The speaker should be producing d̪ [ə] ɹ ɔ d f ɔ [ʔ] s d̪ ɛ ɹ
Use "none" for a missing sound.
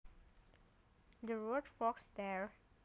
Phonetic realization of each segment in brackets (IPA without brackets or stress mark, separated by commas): ə, k